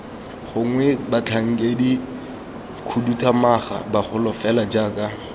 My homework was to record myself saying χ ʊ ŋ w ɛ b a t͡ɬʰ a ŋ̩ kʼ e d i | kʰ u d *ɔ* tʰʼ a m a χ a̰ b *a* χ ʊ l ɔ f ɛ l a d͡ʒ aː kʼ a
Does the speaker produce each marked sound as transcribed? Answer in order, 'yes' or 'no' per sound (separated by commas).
no, yes